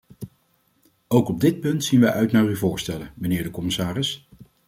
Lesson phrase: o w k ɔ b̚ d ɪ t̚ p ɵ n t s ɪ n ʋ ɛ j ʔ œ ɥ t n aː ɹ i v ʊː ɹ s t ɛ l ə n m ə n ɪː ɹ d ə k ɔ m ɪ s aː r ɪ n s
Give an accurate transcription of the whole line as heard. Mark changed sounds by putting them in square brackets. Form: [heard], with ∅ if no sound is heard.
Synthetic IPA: o w k ɔ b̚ d ɪ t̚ p ɵ n t s [i] n ʋ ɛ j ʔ œ ɥ t n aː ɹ [y] v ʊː ɹ s t ɛ l ə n m ə n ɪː ɹ d ə k ɔ m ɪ s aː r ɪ [∅] s